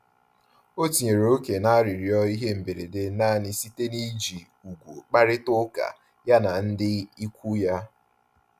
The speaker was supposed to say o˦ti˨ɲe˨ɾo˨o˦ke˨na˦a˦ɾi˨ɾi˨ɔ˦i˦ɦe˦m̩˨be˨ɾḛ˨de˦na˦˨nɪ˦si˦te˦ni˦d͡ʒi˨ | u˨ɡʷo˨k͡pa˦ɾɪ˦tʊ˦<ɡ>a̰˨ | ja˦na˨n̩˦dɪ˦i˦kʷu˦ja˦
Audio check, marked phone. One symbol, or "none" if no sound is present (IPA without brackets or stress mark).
k